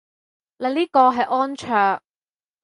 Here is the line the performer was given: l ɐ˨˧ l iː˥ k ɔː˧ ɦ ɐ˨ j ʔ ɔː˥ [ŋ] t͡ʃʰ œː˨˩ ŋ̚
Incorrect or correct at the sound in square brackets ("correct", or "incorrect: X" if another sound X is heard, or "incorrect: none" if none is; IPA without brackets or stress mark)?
incorrect: n